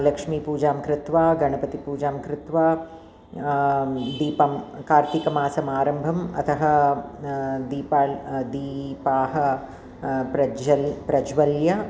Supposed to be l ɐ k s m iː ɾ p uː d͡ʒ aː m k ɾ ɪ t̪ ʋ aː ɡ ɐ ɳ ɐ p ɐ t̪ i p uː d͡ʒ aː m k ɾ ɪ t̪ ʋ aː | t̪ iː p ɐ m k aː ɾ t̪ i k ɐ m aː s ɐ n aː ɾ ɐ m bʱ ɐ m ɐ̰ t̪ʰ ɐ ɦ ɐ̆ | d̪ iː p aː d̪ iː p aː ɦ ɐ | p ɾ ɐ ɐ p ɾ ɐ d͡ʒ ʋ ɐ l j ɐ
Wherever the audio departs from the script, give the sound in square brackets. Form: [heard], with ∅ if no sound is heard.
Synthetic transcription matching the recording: l ɐ k [ʂ] m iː [∅] p uː d͡ʒ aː m k ɾ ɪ t̪ ʋ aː ɡ ɐ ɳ ɐ p ɐ t̪ i p uː d͡ʒ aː m k ɾ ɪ t̪ ʋ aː | [d̪] iː p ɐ m k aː ɾ t̪ i k ɐ m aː s ɐ [m] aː ɾ ɐ m bʱ ɐ m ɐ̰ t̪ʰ ɐ ɦ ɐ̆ | d̪ iː p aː d̪ iː p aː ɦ ɐ | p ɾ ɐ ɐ p ɾ ɐ d͡ʒ ʋ ɐ l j ɐ